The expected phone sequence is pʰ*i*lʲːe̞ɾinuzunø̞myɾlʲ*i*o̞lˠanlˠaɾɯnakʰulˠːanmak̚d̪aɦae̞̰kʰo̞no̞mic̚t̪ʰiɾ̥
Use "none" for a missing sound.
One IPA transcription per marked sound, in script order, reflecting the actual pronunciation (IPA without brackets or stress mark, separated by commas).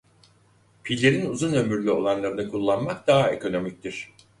i, y